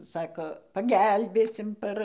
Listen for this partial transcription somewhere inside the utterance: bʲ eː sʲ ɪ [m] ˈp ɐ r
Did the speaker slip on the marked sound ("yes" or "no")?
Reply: no